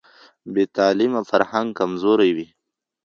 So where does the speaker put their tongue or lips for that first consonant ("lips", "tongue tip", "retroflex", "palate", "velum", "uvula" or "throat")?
lips